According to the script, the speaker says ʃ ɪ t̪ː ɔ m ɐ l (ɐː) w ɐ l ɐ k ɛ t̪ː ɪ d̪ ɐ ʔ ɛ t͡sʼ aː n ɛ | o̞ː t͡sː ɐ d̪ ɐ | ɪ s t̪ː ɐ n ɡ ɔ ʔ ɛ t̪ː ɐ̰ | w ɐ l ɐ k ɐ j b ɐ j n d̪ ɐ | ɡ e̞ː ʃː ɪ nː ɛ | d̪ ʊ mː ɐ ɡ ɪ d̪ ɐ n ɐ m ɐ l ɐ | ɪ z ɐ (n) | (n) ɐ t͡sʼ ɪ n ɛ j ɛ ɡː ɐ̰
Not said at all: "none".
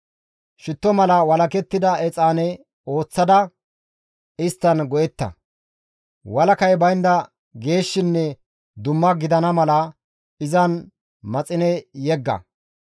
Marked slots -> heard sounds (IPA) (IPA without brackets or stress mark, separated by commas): ɐ, n, m